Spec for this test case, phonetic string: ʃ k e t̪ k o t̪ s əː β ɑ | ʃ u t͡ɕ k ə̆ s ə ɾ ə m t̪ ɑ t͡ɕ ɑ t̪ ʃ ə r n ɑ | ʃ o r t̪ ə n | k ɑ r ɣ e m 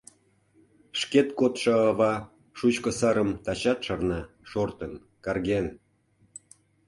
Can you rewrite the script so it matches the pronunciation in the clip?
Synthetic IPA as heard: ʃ k e t̪ k o t̪ ʃ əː β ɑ | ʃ u t͡ɕ k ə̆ s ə ɾ ə m t̪ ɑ t͡ɕ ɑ t̪ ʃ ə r n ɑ | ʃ o r t̪ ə n | k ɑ r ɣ e n